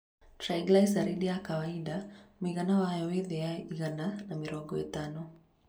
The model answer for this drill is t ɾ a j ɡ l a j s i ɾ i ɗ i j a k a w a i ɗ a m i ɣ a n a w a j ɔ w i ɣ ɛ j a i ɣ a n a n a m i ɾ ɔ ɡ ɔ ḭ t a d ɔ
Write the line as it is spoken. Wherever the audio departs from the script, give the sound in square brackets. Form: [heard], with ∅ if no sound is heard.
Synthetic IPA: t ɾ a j ɡ l a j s [a] ɾ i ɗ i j a k a w a i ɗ a m i ɣ a n a w a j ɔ w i [ð] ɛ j a i ɣ a n a n a m i ɾ ɔ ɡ ɔ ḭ t a [n] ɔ